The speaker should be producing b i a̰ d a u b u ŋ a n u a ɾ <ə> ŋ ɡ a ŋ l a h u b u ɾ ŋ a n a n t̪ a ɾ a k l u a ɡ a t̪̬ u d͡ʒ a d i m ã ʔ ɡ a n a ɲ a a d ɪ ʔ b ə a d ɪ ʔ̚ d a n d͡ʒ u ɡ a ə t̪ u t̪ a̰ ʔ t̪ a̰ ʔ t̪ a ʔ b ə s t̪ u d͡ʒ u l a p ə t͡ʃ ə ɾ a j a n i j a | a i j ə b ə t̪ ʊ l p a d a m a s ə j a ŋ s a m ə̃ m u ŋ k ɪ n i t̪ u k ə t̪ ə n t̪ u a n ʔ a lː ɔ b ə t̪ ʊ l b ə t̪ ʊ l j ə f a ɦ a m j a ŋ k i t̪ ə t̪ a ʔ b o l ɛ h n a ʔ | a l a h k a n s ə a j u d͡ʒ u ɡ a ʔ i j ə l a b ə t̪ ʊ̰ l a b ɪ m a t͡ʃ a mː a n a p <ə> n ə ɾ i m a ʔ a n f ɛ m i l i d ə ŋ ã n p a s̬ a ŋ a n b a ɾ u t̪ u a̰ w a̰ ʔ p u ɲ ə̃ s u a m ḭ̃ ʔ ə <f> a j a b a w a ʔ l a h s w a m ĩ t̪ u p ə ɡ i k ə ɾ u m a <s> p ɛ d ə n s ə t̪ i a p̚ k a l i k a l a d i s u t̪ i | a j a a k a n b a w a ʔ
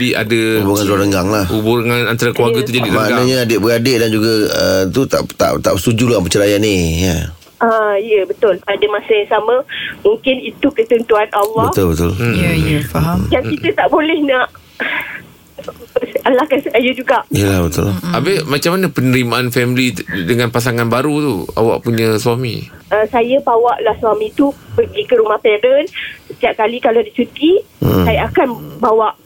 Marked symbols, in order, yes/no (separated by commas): yes, yes, no, no